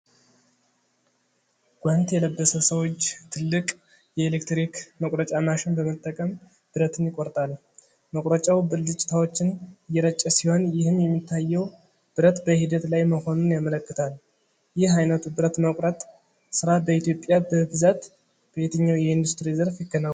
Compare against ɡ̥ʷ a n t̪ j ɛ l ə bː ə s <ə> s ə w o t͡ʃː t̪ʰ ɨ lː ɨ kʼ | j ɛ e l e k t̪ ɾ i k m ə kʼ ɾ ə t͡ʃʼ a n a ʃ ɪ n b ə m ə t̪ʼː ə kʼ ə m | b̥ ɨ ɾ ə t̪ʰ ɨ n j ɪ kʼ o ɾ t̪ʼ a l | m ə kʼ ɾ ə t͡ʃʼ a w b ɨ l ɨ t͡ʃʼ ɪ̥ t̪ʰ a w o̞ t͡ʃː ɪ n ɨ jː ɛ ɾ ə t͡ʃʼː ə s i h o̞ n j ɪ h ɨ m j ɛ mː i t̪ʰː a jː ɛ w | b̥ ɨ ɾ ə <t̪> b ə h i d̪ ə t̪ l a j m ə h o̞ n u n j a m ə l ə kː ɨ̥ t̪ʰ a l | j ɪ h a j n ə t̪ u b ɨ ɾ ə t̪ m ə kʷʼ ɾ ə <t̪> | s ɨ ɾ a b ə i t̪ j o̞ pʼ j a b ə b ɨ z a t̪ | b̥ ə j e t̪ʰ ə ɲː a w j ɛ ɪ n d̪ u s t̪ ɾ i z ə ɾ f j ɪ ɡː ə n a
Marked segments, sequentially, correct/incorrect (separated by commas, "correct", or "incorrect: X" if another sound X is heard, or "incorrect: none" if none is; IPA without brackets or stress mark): correct, correct, incorrect: t̪ʼ